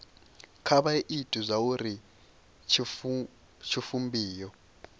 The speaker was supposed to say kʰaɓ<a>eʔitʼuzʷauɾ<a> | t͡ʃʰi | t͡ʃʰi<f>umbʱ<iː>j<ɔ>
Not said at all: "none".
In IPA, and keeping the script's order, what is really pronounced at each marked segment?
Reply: a, i, f, iː, ɔ

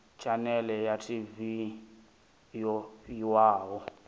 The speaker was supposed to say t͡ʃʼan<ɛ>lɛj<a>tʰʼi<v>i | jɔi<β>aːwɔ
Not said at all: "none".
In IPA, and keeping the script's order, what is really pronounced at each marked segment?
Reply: ɛ, a, v, w

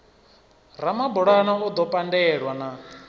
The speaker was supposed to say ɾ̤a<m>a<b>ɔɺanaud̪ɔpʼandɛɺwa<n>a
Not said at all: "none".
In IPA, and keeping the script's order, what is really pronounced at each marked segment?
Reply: m, b, n

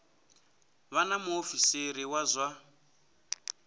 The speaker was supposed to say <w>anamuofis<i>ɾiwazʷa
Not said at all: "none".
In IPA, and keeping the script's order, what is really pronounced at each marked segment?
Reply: β, e

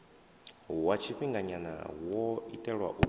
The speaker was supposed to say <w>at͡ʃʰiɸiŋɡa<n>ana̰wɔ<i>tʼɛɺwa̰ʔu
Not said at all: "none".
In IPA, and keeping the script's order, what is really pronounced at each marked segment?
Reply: w, ɲ, i

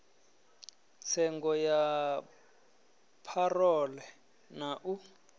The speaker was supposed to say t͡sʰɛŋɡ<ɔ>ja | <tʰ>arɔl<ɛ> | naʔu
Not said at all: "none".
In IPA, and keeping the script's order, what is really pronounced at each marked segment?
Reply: ɔ, pʰ, ɛ

